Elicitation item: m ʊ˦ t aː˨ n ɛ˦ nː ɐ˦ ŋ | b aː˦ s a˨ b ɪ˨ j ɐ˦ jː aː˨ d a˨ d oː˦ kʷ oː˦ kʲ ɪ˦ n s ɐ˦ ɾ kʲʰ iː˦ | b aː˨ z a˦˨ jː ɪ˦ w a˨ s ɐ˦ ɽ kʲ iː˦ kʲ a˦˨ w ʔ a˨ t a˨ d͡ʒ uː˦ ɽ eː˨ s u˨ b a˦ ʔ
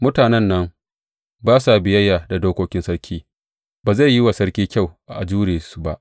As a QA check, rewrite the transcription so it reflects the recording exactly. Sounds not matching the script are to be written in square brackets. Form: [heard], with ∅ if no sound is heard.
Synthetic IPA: m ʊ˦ t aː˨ n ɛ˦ nː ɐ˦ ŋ | b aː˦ s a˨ b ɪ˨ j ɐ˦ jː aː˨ d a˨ d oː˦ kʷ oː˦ kʲ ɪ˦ n s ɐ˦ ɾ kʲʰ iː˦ | b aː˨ z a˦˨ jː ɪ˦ w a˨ s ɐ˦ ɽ kʲ iː˦ kʲ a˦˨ w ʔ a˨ [ʔ] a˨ d͡ʒ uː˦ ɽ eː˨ s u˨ b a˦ ʔ